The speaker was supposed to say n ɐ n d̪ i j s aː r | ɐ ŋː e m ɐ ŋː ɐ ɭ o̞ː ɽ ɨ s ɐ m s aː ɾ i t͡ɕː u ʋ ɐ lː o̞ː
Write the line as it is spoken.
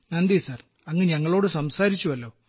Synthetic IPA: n ɐ n d̪ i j s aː r | ɐ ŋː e ɲ ɐ ŋː ɐ ɭ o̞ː ɽ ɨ s ɐ m s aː ɾ i t͡ɕː u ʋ ɐ lː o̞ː